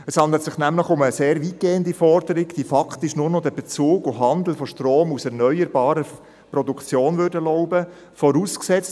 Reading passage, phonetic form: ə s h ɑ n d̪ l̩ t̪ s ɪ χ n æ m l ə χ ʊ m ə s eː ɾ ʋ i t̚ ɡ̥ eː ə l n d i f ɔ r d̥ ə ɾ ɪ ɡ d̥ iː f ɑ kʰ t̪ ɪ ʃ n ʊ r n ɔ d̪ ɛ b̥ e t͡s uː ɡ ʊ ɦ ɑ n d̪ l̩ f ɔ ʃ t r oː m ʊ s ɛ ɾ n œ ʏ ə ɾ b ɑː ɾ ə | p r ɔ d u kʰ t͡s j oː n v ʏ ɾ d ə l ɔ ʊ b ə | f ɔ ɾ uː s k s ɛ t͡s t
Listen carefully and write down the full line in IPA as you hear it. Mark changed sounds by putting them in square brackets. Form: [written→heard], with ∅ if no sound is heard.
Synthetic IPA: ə s h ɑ n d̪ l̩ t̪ s ɪ χ n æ m l ə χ ʊ m ə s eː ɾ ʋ i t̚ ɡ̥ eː ə [l→∅] n d i f ɔ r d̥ ə ɾ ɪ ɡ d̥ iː f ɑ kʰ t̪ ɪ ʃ n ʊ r n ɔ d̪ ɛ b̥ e t͡s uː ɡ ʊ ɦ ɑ n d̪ l̩ f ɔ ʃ t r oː m [ʊ→u] s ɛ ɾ n œ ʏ ə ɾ b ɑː ɾ ə | p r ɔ d u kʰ t͡s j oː n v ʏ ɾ d ə l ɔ ʊ b ə | f ɔ ɾ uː s k s ɛ t͡s t

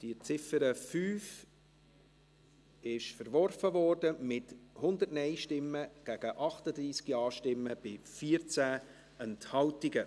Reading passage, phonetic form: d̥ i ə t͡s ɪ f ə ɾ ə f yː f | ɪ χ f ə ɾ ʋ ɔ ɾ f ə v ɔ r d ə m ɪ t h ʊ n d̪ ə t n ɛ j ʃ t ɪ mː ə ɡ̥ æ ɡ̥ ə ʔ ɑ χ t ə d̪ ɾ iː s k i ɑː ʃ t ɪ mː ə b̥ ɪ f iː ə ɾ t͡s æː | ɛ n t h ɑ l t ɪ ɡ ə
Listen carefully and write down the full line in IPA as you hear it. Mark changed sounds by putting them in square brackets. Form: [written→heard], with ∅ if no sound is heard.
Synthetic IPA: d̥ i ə t͡s ɪ f ə ɾ ə f yː f | ɪ [χ→ʃ] f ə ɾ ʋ ɔ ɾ f ə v ɔ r d ə m ɪ t h ʊ n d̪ ə t n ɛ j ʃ t ɪ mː ə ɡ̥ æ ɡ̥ ə ʔ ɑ χ t ə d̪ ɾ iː s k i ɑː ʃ t ɪ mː ə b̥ ɪ f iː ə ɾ t͡s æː | ɛ n t h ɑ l t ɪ ɡ ə

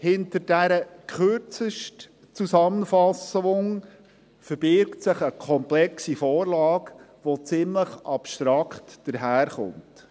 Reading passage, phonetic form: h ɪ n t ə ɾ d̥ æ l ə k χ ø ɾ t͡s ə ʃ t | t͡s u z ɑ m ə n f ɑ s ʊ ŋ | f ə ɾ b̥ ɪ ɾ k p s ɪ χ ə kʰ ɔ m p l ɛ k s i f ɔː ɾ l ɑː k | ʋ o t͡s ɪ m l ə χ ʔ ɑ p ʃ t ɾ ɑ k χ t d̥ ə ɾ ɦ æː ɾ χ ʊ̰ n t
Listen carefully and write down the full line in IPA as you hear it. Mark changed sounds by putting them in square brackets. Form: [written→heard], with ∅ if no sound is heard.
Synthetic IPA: h ɪ n t ə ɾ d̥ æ [l→ɾ] ə k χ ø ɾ t͡s ə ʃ t | t͡s u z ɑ m ə n f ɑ s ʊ ŋ | f ə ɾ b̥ ɪ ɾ k [p→t] s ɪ χ ə kʰ ɔ m p l ɛ k s i f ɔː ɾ l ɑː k | ʋ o t͡s ɪ m l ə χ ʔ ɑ p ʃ t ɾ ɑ k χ t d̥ ə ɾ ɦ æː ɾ χ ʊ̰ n t

